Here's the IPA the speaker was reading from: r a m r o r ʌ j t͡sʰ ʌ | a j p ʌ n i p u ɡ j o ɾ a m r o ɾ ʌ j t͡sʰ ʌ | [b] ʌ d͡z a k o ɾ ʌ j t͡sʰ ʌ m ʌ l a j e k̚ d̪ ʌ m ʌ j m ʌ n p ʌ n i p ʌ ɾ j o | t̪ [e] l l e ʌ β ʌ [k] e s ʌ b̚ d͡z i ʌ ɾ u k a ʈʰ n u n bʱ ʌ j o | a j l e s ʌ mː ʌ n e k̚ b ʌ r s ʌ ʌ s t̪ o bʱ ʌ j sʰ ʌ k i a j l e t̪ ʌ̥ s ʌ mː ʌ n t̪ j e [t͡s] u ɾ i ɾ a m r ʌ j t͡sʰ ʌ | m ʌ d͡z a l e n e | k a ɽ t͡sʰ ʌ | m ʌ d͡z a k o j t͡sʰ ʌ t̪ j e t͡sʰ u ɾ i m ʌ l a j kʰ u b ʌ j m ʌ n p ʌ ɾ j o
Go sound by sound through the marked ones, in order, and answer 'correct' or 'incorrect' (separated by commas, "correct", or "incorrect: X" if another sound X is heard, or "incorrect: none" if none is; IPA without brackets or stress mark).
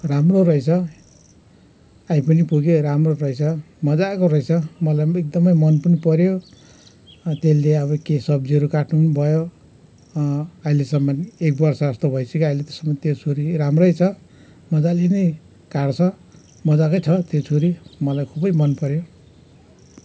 incorrect: m, correct, correct, incorrect: t͡sʰ